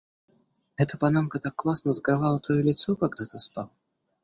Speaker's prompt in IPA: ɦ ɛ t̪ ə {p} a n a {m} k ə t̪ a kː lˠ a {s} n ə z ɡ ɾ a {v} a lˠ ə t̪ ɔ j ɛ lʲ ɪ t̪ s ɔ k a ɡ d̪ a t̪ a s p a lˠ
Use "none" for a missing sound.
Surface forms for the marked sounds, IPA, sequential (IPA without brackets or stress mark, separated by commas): p, m, s, v